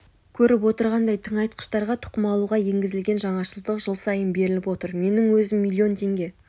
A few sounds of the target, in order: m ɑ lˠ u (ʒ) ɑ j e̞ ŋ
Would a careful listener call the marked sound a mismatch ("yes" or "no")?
yes